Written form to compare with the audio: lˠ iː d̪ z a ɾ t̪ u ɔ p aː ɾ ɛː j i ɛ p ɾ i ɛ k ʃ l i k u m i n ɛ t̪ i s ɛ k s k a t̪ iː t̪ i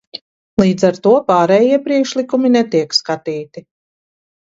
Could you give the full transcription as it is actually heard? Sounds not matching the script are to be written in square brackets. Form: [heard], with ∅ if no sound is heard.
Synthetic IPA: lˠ iː d̪ z a ɾ t̪ u ɔ p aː ɾ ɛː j i ɛ p ɾ i ɛ k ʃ l i k u m i n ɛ t̪ i [∅] ɛ k s k a t̪ iː t̪ i

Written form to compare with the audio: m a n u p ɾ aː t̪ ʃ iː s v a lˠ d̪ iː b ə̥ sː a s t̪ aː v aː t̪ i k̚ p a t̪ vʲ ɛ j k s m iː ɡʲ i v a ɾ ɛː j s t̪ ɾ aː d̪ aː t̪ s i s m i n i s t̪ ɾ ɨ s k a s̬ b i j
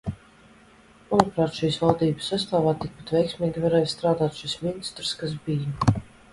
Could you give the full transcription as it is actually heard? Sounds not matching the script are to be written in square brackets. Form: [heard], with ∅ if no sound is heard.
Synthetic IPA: m a n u p ɾ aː t̪ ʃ iː s v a lˠ d̪ iː b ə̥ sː a s t̪ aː v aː t̪ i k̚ p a t̪ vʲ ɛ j k s m iː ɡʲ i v a ɾ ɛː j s t̪ ɾ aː d̪ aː t̪ [ʃ] i s m i n i s t̪ ɾ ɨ s k a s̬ b i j

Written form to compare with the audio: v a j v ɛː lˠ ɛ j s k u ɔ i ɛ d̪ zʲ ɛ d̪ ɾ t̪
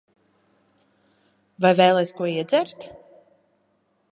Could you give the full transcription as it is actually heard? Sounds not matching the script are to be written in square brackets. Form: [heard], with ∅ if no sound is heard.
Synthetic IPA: v a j v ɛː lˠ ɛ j s k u ɔ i ɛ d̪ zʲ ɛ [∅] ɾ t̪

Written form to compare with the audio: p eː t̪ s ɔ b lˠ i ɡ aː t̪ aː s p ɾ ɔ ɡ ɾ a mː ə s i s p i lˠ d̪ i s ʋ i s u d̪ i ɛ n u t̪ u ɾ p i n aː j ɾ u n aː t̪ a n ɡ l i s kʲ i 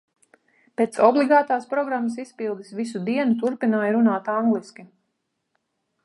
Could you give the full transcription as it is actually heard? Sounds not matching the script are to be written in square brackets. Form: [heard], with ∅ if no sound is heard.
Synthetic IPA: p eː t̪ s ɔ b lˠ i ɡ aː t̪ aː s p ɾ ɔ ɡ ɾ a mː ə s i s p i lˠ d̪ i s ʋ i s u d̪ i ɛ n u t̪ u ɾ p i n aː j ɾ u n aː t̪ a [ŋ] ɡ l i s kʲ i

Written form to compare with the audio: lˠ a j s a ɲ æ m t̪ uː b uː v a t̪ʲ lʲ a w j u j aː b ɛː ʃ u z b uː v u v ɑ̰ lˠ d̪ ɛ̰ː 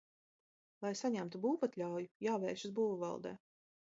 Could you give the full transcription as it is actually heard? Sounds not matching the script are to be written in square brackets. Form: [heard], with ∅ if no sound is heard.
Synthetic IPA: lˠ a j s a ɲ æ m t̪ [u] b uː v a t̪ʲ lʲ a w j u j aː [v] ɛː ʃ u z b uː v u v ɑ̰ lˠ d̪ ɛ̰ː

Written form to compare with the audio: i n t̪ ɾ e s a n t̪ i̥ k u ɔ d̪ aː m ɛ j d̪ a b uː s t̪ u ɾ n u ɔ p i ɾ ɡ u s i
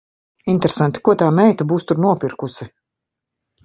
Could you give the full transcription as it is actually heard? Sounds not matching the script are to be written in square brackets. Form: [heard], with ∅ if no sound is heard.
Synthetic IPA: i n t̪ ɾ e s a n t̪ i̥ k u ɔ [t̪] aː m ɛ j [t̪] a b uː s t̪ u ɾ n u ɔ p i ɾ [k] u s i

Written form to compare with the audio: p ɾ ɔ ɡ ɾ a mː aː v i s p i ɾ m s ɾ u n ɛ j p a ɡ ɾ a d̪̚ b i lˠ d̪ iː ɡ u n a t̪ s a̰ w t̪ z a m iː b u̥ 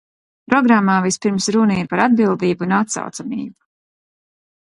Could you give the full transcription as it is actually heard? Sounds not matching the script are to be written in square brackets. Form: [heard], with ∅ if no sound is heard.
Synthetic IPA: p ɾ ɔ ɡ ɾ a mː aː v i s p i ɾ m s ɾ u n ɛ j p a [∅] ɾ a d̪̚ b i lˠ d̪ iː [b] u n a t̪ s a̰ w t̪ [s] a m iː b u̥

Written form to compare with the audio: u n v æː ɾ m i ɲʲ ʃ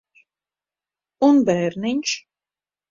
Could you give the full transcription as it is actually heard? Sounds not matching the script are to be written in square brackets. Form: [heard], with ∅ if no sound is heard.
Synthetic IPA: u n [b] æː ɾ [n] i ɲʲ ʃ

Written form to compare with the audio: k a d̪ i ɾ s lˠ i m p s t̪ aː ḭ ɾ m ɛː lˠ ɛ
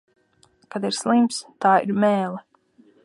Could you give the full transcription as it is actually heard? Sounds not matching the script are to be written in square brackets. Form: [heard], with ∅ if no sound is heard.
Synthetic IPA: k a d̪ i ɾ s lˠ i m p s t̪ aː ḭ ɾ m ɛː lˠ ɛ

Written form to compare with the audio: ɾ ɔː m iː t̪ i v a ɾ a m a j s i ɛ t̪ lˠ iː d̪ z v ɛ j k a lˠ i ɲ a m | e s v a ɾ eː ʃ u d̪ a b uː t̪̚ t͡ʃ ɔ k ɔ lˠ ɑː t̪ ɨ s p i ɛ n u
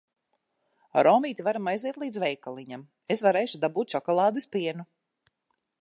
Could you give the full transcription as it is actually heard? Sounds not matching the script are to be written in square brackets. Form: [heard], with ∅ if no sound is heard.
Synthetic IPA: ɾ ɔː m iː t̪ i v a ɾ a m a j [z] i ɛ t̪ lˠ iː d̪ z v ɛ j k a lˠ i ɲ a m | e s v a ɾ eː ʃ u d̪ a b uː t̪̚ t͡ʃ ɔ k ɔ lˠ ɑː [d̪] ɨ s p i ɛ n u

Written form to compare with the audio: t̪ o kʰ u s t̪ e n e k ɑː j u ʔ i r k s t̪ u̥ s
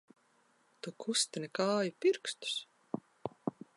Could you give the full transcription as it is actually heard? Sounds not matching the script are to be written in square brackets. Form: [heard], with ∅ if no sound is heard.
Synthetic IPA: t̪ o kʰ u s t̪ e n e k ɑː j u [p] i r k s t̪ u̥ s

